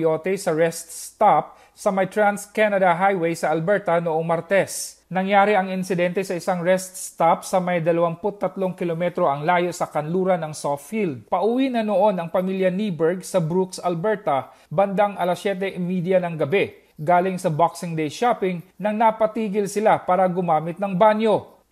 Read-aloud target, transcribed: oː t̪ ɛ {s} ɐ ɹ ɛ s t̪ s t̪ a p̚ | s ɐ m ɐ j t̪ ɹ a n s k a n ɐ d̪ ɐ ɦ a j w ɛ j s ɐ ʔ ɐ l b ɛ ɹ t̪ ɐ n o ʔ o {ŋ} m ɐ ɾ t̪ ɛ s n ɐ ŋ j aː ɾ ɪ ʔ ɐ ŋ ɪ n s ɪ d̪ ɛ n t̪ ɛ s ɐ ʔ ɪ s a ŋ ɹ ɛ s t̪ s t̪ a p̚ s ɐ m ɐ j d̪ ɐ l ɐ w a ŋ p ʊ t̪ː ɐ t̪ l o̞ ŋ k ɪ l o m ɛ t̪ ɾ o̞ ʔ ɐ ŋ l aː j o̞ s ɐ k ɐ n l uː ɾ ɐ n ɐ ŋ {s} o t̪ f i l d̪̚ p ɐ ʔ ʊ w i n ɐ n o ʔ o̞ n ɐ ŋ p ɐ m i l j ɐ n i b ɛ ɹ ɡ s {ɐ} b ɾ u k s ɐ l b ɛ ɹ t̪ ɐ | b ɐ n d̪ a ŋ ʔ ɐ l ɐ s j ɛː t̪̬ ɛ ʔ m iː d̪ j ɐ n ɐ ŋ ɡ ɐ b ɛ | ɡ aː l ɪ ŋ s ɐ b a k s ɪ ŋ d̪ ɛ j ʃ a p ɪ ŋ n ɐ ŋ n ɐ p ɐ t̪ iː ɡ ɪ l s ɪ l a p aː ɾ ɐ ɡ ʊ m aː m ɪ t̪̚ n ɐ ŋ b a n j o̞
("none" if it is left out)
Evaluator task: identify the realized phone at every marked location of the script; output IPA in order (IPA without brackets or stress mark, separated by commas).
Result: s, ŋ, s, ɐ